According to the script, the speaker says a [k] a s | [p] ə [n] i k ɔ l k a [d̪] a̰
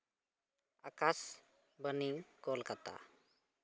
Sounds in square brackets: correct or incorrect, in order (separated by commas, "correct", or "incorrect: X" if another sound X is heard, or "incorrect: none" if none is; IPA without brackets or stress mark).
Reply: correct, incorrect: b, correct, incorrect: t̪